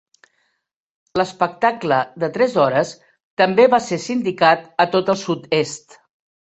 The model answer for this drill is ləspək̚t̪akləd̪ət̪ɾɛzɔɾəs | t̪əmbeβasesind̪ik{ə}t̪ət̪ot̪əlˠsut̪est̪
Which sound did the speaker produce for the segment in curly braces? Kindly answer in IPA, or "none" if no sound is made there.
a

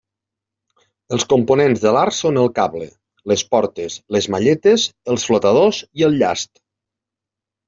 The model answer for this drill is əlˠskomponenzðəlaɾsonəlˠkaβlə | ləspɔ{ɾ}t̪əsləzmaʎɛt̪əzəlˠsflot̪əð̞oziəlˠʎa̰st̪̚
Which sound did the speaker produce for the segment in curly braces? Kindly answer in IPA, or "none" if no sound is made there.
ɾ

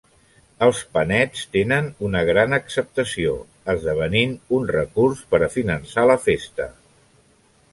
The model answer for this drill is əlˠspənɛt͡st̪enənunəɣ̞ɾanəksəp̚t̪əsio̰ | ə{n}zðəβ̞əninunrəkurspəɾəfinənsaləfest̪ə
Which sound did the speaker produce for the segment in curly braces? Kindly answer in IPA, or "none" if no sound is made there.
none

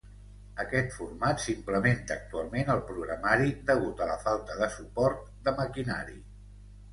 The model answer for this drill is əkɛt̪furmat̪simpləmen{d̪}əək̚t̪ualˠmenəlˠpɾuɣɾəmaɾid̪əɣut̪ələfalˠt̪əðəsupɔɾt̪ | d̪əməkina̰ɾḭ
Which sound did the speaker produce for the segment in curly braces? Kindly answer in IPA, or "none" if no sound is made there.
t̪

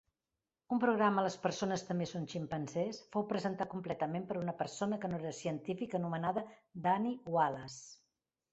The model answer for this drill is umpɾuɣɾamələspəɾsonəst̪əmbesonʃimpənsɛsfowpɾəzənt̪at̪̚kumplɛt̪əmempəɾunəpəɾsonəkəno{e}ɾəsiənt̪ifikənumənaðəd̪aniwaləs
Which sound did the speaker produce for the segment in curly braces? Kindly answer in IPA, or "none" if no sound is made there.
e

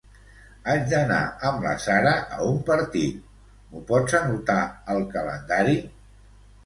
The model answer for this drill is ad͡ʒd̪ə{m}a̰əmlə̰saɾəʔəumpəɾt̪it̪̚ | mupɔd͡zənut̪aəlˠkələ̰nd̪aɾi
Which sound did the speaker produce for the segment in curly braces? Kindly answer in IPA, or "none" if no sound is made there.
n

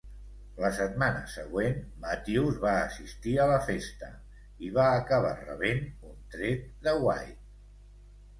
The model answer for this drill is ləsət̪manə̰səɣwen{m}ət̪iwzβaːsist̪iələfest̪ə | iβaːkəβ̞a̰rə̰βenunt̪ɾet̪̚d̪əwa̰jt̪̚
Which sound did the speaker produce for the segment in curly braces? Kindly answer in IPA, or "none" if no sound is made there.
m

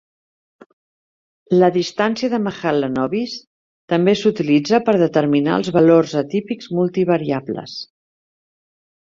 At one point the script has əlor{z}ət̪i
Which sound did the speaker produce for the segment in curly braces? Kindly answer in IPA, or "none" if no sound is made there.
z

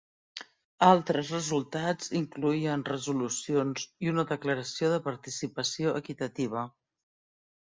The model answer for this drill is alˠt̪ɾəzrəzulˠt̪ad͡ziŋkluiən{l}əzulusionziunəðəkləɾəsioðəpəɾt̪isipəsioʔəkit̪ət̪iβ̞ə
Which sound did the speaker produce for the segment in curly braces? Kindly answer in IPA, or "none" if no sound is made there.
r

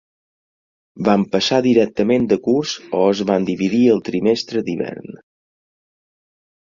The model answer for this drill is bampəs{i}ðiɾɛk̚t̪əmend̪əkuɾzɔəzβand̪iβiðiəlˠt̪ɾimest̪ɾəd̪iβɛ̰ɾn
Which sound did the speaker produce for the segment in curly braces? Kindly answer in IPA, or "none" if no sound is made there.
a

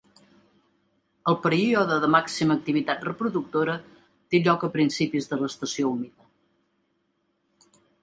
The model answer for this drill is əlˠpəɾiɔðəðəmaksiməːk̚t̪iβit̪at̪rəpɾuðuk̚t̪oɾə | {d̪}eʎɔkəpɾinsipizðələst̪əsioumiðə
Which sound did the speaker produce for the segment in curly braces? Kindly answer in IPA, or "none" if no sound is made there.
t̪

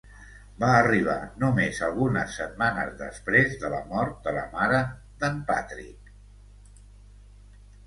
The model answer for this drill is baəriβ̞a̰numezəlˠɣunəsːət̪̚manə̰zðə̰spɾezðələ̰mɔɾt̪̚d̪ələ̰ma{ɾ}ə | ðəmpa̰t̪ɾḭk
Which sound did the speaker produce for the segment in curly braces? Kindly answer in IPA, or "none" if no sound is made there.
ɾ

